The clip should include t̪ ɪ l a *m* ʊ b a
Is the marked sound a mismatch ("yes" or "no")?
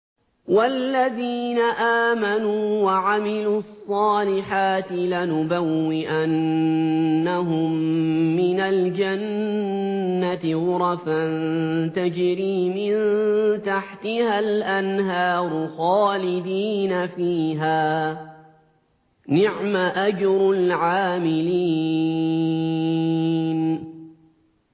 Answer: yes